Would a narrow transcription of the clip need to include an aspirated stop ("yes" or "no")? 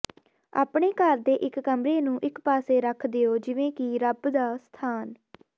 yes